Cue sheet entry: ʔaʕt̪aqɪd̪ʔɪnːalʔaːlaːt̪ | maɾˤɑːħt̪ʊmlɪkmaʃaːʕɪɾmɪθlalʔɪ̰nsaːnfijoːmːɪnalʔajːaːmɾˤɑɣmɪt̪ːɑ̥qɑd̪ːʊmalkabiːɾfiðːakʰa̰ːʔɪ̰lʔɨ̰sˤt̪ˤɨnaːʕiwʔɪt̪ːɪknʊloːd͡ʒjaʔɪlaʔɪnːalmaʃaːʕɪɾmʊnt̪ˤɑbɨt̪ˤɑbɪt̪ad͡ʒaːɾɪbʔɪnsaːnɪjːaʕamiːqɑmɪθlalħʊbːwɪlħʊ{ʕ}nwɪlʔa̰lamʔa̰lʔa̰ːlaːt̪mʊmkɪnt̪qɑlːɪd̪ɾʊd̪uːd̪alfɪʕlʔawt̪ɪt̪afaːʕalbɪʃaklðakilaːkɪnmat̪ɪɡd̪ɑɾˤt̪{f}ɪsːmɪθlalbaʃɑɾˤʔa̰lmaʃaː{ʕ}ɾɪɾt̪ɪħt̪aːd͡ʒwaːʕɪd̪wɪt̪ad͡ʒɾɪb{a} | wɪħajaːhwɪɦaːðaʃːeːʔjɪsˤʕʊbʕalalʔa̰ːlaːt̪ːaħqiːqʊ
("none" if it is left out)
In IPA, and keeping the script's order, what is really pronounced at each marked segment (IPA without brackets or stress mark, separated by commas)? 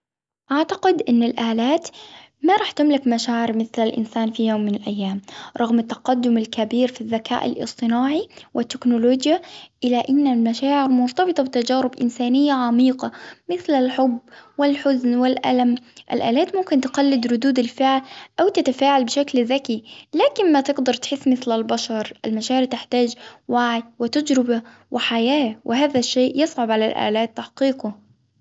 z, ħ, ʕ, a